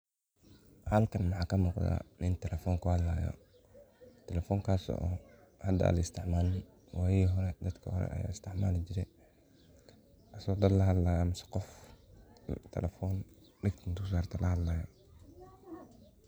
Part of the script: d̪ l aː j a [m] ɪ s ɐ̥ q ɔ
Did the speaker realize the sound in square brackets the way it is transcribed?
yes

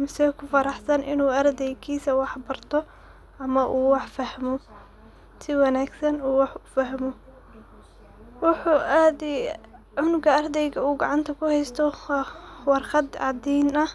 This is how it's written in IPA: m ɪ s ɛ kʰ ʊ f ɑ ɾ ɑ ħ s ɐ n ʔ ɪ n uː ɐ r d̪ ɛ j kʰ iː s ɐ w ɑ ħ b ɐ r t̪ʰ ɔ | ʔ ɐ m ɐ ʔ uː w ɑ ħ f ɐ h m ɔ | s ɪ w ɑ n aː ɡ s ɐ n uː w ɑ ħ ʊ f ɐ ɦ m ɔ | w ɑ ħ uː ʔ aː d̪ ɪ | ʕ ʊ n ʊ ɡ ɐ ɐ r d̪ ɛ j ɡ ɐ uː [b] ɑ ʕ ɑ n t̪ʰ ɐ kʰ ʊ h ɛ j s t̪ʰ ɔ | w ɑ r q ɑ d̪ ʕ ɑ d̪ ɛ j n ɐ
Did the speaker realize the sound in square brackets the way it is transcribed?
no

